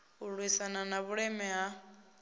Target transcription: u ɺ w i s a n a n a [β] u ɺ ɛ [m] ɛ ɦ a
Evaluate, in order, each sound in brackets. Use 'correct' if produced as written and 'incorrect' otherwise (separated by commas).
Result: correct, correct